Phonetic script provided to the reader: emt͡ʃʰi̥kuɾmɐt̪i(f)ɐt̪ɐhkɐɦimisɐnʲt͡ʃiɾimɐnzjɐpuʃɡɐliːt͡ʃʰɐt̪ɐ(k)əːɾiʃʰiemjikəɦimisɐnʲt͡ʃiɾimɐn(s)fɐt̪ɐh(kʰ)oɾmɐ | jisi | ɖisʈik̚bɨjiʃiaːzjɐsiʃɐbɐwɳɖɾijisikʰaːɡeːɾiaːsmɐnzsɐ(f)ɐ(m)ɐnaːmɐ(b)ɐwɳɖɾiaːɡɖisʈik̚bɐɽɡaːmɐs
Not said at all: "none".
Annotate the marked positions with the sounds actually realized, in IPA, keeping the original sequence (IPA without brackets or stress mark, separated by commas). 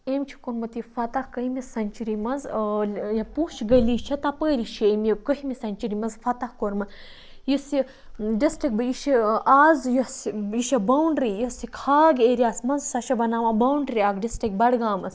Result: f, p, z, k, ʃ, b, b